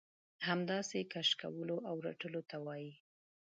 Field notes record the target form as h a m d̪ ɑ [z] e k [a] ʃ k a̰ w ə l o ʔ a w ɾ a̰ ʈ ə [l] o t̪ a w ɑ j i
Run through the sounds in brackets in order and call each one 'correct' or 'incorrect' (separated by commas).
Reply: incorrect, correct, correct